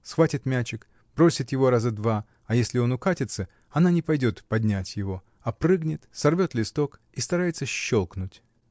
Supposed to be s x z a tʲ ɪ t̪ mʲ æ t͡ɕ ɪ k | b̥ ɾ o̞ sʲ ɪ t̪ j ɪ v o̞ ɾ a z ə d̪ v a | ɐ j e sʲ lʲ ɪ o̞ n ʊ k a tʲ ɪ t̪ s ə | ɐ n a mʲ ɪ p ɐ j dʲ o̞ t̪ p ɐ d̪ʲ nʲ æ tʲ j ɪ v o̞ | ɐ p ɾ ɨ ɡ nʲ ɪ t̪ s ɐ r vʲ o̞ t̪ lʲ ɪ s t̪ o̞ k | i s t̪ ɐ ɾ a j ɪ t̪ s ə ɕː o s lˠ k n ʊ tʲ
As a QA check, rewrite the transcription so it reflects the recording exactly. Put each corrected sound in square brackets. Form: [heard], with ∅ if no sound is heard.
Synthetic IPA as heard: s x [v] a tʲ ɪ t̪ mʲ æ t͡ɕ ɪ k | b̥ ɾ o̞ sʲ ɪ t̪ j ɪ v o̞ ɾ a z ə d̪ v a | ɐ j e sʲ lʲ ɪ o̞ n ʊ k a tʲ ɪ t̪ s ə | ɐ n a [nʲ] ɪ p ɐ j dʲ o̞ t̪ p ɐ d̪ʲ nʲ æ tʲ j ɪ v o̞ | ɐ p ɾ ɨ ɡ nʲ ɪ t̪ s ɐ r vʲ o̞ t̪ lʲ ɪ s t̪ o̞ k | i s t̪ ɐ ɾ a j ɪ t̪ s ə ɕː o [∅] lˠ k n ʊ tʲ